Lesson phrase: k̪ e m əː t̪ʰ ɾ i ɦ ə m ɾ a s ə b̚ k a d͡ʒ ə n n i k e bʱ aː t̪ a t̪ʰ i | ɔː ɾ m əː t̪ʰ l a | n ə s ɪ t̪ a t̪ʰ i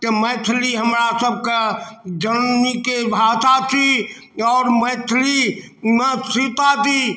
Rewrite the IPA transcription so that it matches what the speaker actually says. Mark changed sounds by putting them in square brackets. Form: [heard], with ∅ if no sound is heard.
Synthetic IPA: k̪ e m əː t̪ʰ [l] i ɦ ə m ɾ a s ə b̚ k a d͡ʒ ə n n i k e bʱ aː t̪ a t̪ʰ i | ɔː ɾ m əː t̪ʰ l [i] | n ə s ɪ t̪ a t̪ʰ i